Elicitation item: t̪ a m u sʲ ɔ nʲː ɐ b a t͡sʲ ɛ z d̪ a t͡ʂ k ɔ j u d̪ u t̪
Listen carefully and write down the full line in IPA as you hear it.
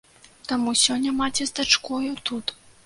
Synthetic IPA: t̪ a m u sʲ ɔ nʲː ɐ m a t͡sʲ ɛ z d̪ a t͡ʂ k ɔ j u t̪ u t̪